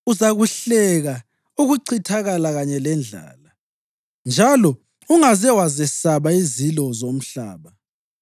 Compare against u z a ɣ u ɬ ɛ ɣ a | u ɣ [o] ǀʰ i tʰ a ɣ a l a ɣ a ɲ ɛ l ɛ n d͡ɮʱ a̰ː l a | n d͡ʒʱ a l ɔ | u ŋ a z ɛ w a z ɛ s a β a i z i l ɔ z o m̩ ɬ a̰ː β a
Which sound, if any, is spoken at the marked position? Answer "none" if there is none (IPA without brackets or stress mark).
u